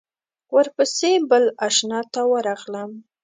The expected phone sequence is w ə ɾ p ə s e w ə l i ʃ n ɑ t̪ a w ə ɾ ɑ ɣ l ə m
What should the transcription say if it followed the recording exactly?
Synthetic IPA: w ə ɾ p ə s e b ə l a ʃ n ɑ t̪ a w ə ɾ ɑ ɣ l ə m